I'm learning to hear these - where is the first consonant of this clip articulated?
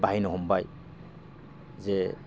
lips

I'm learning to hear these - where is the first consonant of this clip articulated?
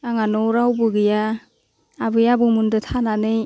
velum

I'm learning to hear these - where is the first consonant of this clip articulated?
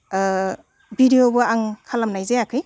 lips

